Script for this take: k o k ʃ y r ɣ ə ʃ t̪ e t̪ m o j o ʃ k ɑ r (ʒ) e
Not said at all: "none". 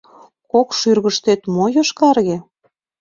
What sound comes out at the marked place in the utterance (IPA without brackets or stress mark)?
ɣ